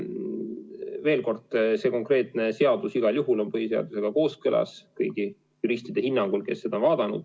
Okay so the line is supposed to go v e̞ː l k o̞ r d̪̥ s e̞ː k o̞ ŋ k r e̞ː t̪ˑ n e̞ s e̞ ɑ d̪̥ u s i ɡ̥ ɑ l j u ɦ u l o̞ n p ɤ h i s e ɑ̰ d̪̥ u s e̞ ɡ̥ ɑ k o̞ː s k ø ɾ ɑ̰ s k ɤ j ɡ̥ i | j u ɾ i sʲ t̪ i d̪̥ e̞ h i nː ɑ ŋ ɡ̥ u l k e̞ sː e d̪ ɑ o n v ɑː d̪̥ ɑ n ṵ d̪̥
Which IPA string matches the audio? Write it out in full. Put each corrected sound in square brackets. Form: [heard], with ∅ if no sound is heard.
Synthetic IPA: v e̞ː l k o̞ r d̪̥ s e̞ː k o̞ ŋ k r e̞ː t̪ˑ n e̞ s e̞ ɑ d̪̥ u s i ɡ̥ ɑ l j u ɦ u l o̞ n p ɤ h i s e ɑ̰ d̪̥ u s e̞ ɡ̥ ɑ k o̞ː s k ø [l] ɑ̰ s k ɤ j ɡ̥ i | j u ɾ i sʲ t̪ i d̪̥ e̞ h i nː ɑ ŋ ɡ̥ u l k e̞ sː e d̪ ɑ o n v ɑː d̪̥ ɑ n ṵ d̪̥